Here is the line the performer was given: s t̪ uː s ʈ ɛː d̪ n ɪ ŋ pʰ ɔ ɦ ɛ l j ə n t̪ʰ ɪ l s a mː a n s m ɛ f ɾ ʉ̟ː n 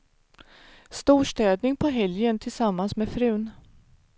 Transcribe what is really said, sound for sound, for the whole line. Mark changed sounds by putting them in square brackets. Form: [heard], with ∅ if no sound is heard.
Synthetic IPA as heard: s t̪ uː [ʂ] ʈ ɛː d̪ n ɪ ŋ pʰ ɔ ɦ ɛ l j ə n t̪ʰ ɪ l s a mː a n s m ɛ f ɾ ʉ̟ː n